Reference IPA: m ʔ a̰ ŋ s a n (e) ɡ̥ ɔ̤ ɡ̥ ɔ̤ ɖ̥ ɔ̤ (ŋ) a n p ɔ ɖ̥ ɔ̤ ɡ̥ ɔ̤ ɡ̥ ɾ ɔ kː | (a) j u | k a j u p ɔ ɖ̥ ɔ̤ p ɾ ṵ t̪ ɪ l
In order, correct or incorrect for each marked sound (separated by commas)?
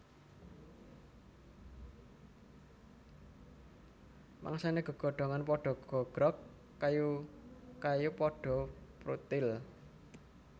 correct, correct, correct